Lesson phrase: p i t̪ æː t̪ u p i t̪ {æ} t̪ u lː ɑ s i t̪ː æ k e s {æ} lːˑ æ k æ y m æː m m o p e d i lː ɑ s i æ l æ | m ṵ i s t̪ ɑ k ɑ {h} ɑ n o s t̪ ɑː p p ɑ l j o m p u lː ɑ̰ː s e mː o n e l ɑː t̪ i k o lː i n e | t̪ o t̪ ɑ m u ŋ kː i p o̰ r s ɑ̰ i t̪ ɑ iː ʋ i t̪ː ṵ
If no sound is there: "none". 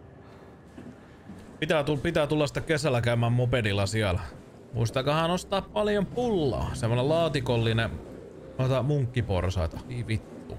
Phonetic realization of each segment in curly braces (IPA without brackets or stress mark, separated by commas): æː, æ, h